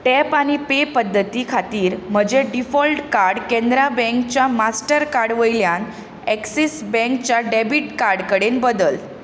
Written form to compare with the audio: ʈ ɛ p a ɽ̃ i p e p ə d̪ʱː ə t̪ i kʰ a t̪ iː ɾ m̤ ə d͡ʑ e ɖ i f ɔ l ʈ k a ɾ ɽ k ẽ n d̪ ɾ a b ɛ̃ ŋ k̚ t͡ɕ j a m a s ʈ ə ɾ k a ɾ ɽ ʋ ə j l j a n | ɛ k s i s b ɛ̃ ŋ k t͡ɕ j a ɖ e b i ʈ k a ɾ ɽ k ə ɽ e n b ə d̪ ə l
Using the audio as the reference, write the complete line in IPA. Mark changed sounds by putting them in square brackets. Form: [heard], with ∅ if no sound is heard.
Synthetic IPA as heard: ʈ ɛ p a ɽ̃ i p e p ə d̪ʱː ə t̪ i kʰ a t̪ iː ɾ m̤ ə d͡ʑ e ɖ i f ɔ l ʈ k a ɾ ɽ k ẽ n d̪ ɾ a b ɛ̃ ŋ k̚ t͡ɕ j a m a s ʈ ə ɾ k a ɾ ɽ ʋ ə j l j a n | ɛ k s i s b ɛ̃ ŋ k t͡ɕ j a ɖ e b i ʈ k a ɾ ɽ k ə ɽ e n b ə d̪ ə l